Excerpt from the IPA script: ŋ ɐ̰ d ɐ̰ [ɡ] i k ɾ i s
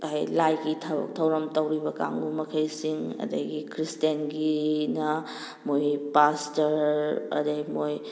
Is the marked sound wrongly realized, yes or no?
no